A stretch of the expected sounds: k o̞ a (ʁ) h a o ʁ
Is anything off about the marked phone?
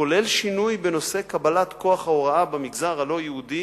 yes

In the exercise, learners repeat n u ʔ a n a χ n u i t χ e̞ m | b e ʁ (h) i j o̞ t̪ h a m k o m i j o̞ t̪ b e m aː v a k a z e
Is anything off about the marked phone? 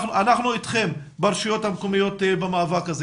yes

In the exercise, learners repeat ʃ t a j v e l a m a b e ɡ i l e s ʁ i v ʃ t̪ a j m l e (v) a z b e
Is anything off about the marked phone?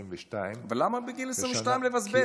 no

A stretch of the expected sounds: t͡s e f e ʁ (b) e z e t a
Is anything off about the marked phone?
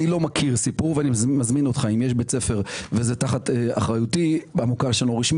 yes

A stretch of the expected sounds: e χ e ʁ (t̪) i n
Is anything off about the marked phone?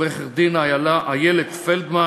yes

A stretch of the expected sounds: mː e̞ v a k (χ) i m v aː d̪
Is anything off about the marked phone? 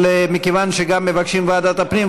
yes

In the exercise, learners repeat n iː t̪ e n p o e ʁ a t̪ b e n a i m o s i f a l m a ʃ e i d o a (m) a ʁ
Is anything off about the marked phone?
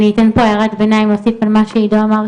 no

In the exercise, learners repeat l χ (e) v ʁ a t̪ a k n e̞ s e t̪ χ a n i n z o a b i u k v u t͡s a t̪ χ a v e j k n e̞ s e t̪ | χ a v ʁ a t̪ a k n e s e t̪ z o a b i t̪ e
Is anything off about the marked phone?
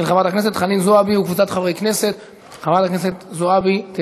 yes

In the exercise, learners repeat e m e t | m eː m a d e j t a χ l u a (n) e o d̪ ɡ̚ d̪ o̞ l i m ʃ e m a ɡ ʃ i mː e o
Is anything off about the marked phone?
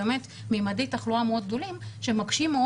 yes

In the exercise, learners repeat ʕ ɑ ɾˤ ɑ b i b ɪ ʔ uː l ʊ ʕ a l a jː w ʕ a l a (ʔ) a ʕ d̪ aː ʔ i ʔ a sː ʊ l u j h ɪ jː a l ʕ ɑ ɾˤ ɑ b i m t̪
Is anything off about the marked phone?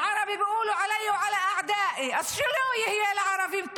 no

